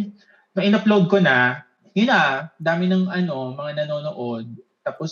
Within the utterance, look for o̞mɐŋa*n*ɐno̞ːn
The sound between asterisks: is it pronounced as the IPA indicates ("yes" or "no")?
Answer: yes